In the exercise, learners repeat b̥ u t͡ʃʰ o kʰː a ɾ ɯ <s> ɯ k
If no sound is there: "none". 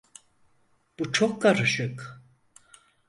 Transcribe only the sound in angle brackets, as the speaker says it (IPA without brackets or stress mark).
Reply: ʃ